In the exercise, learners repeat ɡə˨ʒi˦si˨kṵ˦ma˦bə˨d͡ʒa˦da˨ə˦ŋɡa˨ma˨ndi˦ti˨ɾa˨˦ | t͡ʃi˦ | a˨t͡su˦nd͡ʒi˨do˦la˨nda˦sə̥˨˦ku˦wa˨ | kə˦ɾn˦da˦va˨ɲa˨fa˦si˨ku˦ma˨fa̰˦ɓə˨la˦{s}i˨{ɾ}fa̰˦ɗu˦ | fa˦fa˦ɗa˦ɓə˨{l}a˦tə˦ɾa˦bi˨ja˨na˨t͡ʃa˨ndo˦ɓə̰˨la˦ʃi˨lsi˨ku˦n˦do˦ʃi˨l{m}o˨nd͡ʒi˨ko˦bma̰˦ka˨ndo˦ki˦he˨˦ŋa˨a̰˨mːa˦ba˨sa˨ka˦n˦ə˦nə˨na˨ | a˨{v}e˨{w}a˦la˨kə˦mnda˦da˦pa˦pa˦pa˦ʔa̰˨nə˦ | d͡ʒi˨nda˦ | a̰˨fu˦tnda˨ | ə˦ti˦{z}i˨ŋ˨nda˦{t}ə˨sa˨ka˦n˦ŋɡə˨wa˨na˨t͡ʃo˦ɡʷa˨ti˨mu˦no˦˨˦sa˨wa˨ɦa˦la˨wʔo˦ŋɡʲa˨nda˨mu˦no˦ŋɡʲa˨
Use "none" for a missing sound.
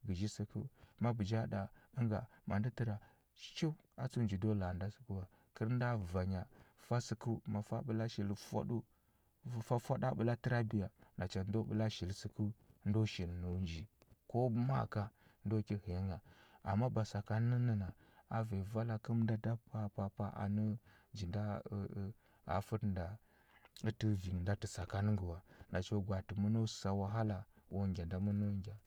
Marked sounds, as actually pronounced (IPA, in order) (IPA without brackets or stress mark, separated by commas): ʃ, l, l, n, v, v, v, t